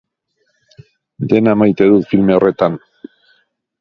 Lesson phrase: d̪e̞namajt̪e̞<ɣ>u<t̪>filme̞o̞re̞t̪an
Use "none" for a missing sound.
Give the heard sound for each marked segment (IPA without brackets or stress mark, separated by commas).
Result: ð, t̪